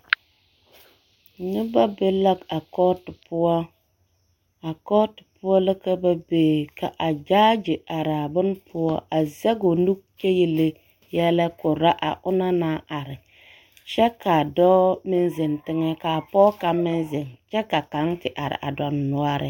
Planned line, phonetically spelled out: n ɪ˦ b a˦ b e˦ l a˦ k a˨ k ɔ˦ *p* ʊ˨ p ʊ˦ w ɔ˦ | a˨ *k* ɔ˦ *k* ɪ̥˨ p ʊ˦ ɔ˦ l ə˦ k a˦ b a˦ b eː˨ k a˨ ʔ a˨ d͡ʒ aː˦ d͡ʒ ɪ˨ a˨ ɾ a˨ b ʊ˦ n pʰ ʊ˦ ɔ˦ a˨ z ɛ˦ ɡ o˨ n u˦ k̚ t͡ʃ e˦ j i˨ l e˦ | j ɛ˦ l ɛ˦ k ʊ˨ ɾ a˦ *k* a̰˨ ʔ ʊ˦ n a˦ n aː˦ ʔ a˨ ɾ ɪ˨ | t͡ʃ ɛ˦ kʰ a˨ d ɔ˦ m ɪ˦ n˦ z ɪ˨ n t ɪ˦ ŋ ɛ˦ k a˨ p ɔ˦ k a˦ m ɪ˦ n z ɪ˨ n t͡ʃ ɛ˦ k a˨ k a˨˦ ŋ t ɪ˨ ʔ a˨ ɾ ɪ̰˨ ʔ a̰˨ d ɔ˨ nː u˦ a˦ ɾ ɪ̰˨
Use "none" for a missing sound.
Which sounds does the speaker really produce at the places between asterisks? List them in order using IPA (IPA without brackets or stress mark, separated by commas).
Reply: t, k, t, ʔ